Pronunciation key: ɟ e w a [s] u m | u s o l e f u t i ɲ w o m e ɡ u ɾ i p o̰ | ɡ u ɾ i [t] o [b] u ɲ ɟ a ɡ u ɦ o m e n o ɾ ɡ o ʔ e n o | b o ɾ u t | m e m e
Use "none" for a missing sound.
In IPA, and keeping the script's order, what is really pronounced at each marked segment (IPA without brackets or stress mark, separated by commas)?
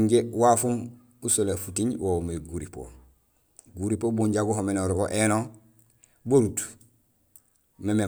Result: f, p, b